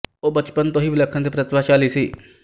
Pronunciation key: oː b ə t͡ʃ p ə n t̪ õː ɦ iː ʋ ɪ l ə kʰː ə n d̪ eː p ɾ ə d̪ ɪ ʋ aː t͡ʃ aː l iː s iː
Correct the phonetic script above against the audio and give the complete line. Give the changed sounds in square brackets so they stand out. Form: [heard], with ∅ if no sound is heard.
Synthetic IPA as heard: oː b ə t͡ʃ p ə n t̪ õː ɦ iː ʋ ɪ l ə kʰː ə n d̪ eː p ɾ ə [t̪] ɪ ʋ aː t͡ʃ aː l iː s iː